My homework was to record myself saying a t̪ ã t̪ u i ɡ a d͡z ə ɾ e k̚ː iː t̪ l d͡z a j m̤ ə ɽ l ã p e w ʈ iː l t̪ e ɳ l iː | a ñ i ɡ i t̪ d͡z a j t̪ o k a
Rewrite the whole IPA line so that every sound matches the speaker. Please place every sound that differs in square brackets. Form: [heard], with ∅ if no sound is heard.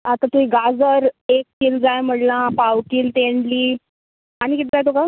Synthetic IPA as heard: a t̪ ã t̪ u i ɡ a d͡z ə ɾ e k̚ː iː [∅] l d͡z a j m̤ ə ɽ l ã p [a] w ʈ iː l t̪ e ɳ l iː | a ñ i [k] i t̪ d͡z a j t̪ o k a